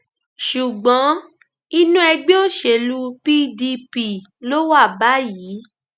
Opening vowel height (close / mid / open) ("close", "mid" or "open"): close